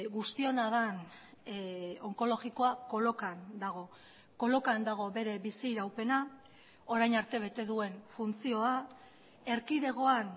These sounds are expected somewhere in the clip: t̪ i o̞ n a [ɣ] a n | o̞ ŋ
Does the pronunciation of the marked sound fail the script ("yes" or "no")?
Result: yes